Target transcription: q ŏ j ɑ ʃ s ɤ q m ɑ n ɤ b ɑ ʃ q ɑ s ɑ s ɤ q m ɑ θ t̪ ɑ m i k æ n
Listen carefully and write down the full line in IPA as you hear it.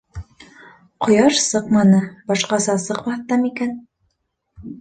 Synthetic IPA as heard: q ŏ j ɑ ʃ s ɤ q m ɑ n ɤ b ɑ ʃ q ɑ s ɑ s ɤ q m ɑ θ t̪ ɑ m i k æ n